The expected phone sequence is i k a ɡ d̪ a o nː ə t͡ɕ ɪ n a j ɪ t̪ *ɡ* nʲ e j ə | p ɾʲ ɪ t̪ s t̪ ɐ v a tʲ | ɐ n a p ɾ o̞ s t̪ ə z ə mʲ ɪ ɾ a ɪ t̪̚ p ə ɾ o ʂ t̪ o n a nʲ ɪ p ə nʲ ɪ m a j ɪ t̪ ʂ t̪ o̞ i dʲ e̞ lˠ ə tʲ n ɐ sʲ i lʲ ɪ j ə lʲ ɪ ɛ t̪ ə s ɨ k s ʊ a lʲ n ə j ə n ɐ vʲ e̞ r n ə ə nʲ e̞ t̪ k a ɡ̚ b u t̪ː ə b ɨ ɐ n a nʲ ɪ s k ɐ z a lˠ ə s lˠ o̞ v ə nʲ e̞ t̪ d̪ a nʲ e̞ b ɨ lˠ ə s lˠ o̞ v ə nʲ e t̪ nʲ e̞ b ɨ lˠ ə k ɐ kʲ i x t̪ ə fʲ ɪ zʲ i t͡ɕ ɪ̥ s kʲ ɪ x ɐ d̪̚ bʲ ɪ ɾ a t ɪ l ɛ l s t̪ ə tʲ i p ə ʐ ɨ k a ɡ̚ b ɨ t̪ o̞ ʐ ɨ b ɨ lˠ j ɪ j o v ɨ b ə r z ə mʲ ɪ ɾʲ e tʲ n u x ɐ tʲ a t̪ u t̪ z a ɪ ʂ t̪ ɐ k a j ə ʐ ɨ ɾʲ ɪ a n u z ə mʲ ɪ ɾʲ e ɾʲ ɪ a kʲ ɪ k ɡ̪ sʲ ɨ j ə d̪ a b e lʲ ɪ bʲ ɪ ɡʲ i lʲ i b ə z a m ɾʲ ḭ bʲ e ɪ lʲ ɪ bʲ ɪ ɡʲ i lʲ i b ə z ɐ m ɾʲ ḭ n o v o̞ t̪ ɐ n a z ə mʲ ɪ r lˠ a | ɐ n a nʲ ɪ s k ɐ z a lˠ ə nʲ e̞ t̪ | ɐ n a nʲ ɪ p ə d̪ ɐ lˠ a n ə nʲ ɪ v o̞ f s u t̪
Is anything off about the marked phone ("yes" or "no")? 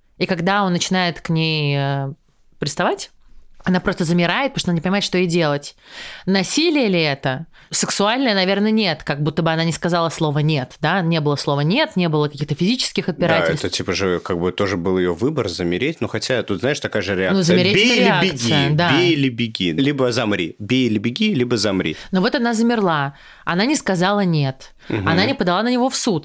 yes